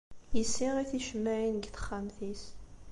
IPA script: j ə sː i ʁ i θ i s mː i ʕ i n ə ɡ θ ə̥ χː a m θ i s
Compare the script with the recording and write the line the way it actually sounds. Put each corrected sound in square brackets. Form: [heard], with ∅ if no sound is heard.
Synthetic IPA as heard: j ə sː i ʁ i θ i [ʃ] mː [æ] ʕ i n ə ɡ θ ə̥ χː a m θ i s